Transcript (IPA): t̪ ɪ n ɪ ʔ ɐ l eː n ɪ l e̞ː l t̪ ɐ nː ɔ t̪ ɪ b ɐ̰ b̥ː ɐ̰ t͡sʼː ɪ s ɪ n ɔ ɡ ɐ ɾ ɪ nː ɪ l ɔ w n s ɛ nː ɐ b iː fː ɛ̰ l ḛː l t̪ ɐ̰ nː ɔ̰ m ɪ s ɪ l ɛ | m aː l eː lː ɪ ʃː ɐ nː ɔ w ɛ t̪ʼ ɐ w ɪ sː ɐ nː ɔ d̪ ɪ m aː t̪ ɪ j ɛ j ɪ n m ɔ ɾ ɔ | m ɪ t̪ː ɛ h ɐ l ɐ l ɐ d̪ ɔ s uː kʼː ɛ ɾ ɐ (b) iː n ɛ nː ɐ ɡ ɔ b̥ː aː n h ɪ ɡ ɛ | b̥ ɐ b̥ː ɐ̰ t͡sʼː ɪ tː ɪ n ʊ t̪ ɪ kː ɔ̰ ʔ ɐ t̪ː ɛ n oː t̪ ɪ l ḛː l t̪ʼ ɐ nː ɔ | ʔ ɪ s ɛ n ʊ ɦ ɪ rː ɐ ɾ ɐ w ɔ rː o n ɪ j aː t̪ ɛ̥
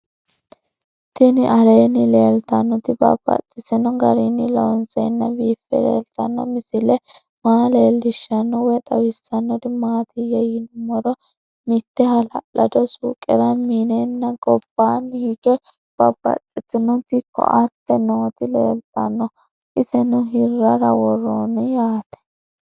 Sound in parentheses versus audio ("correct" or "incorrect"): incorrect